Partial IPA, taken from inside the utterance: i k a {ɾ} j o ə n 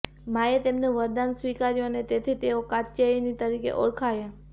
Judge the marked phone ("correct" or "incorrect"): correct